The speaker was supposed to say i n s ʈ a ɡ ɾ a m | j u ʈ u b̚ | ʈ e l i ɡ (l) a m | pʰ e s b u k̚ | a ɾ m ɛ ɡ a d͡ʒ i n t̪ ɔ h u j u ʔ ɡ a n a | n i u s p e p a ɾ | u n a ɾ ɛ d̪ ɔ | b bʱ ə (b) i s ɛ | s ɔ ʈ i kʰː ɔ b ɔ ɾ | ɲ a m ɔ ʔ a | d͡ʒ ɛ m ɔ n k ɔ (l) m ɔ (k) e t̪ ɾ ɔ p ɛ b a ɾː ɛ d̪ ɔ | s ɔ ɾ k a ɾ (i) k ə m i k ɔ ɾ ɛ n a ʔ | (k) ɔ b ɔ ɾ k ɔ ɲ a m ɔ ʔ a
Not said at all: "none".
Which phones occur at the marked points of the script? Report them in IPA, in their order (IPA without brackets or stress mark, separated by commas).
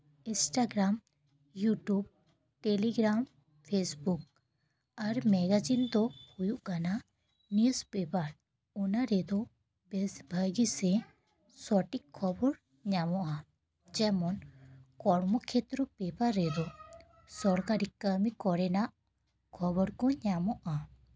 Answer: ɾ, ɡ, ɽ, kʰ, i, kʰ